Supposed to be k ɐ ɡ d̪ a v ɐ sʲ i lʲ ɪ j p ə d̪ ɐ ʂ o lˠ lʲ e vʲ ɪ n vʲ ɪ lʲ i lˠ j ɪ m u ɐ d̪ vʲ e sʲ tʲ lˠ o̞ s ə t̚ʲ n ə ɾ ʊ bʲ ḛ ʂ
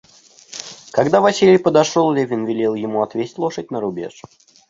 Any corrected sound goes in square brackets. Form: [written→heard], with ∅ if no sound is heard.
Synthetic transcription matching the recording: k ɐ ɡ d̪ a v ɐ sʲ i lʲ ɪ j p ə d̪ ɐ ʂ o lˠ lʲ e vʲ ɪ n vʲ ɪ lʲ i lˠ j ɪ m u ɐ [d̪→t̪] vʲ e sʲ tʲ lˠ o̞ [s→ʂ] ə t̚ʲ n ə ɾ ʊ bʲ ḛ ʂ